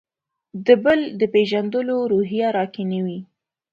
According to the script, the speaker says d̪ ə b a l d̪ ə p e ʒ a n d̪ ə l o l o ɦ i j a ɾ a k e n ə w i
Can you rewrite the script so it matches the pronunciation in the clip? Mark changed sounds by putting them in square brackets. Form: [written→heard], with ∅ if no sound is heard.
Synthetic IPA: d̪ ə b [a→ə] l d̪ ə p e ʒ a n d̪ ə l o [l→ɾ] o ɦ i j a ɾ [a→ɑ] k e n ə w i